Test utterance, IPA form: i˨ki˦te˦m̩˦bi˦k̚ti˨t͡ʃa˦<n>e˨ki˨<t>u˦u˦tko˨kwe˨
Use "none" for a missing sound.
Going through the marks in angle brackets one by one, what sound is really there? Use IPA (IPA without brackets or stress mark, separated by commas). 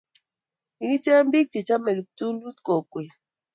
m, t